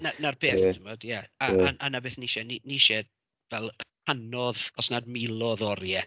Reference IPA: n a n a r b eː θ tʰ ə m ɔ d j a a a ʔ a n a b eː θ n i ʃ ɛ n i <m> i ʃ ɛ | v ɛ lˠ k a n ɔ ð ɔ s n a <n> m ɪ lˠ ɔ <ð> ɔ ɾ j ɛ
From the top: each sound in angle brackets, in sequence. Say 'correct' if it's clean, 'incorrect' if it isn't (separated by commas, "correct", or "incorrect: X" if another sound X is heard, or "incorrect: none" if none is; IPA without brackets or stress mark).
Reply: incorrect: n, incorrect: d, correct